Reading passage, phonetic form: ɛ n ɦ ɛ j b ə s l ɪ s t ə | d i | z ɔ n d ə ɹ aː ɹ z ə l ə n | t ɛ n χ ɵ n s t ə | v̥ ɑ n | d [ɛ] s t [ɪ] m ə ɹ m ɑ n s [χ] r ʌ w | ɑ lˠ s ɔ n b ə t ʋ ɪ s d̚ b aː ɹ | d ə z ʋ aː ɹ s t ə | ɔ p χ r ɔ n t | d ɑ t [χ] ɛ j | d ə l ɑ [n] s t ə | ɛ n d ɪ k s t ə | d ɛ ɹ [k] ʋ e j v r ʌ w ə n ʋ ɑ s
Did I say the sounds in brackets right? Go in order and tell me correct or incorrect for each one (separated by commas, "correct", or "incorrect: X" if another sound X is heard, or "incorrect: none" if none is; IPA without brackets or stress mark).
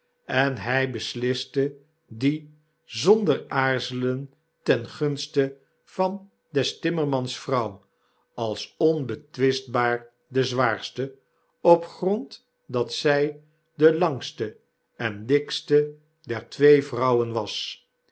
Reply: correct, correct, incorrect: f, incorrect: s, incorrect: ŋ, incorrect: t